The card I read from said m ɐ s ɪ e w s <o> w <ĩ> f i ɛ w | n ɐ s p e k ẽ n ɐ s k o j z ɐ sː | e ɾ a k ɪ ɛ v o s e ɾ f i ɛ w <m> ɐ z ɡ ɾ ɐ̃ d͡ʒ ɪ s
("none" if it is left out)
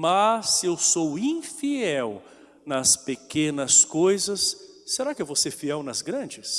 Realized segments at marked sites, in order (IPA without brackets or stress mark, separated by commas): o, ĩ, n